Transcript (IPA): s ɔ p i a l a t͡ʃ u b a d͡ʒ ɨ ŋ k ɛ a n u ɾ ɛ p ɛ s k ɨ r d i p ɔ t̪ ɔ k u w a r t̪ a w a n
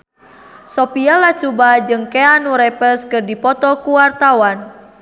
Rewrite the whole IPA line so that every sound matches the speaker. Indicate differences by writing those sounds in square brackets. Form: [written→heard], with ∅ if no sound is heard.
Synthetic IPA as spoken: s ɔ p i a l a t͡ʃ u b a d͡ʒ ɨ ŋ k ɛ a n u ɾ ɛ p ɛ s k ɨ r d i p ɔ t̪ ɔ k u w a r t̪ a w a n

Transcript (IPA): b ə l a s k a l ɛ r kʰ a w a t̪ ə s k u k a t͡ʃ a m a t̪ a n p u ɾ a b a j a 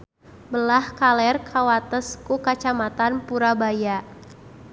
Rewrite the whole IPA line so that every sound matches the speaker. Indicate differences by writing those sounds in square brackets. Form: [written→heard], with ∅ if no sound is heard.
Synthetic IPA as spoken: b ə l a [s→h] k a l ɛ r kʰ a w a t̪ ə s k u k a t͡ʃ a m a t̪ a n p u ɾ a b a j a

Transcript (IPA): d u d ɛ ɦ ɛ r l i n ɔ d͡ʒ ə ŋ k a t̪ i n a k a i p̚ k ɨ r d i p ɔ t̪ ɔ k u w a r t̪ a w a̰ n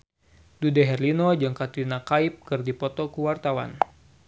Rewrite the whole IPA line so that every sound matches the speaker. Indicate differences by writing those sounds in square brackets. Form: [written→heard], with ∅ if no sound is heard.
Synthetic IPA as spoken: d u d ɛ ɦ ɛ r l i n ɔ d͡ʒ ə ŋ k a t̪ i n a k a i p̚ k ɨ r d i p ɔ t̪ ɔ k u w a r t̪ a w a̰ n

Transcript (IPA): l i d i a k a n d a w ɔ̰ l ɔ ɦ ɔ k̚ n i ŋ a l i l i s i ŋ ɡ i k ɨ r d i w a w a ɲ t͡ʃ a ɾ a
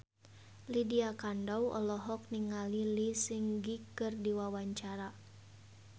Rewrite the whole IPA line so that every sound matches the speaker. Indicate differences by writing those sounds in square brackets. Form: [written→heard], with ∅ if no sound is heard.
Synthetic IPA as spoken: l i d i a k a n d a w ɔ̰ l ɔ ɦ ɔ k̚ n i ŋ a l i l i s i ŋ ɡ i k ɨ r d i w a w a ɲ t͡ʃ a ɾ a

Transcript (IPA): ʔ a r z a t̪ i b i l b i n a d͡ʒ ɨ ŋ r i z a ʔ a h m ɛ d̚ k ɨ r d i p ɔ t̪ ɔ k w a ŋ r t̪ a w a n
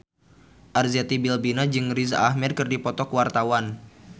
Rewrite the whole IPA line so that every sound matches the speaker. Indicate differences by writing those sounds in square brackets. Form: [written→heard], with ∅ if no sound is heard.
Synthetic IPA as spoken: ʔ a r z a t̪ i b i l b i n a d͡ʒ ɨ ŋ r i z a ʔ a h m ɛ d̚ k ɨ r d i p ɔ t̪ ɔ k w a [ŋ→∅] r t̪ a w a n

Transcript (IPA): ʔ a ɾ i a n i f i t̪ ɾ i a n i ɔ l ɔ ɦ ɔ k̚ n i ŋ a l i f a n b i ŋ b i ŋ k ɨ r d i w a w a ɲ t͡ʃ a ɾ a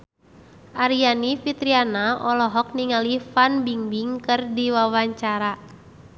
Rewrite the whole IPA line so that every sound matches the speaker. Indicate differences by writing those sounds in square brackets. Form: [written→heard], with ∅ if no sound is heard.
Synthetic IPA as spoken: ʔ a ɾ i a n i f i t̪ ɾ i a n [i→a] ɔ l ɔ ɦ ɔ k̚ n i ŋ a l i f a n b i ŋ b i ŋ k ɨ r d i w a w a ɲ t͡ʃ a ɾ a

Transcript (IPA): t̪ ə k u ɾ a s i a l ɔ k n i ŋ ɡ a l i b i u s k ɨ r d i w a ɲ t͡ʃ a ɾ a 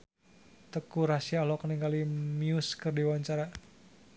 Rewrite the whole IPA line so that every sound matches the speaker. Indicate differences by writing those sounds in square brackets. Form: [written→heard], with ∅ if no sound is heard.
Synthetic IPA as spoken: t̪ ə k u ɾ a s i a l ɔ k n i ŋ ɡ a l i [b→m] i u s k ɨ r d i w a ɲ t͡ʃ a ɾ a

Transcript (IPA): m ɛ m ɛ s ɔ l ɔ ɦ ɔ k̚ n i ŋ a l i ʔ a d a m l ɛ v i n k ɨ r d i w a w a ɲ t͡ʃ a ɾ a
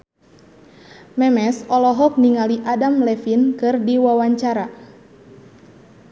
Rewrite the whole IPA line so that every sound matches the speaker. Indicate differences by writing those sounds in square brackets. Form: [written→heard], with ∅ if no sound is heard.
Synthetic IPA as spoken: m ɛ m ɛ s ɔ l ɔ ɦ ɔ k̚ n i ŋ a l i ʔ a d a m l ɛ [v→f] i n k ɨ r d i w a w a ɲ t͡ʃ a ɾ a

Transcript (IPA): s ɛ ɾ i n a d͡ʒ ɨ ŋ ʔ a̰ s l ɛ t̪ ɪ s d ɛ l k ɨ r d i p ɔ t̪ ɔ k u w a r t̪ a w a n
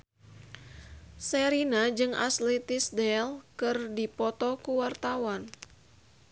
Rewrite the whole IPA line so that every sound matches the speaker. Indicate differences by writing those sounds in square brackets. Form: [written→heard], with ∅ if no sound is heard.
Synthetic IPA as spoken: s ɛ ɾ i n a d͡ʒ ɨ ŋ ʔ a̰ s l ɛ t̪ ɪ s d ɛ l k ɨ r d i p ɔ t̪ ɔ k u w a r t̪ a w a n

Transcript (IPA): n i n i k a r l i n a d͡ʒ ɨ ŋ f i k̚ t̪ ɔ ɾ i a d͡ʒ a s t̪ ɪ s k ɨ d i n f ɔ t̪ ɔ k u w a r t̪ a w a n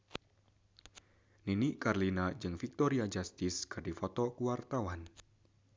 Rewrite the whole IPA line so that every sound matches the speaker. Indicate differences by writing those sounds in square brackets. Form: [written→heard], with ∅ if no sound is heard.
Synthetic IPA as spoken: n i n i k a r l i n a d͡ʒ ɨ ŋ f i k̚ t̪ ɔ ɾ i a d͡ʒ a s t̪ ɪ s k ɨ d i [n→∅] f ɔ t̪ ɔ k u w a r t̪ a w a n

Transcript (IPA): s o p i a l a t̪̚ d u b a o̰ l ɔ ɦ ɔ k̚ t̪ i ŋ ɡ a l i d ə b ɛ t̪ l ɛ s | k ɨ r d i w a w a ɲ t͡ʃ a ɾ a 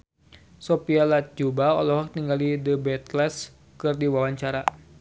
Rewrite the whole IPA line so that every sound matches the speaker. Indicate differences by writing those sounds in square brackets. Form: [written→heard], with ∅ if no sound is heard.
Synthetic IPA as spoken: s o p i a l a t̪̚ [d→d͡ʒ] u b a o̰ l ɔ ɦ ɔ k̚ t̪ i ŋ ɡ a l i d ə b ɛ t̪ l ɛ s | k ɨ r d i w a w a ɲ t͡ʃ a ɾ a

